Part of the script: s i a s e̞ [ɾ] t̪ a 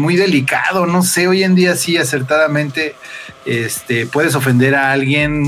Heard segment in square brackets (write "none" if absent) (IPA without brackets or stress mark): ɾ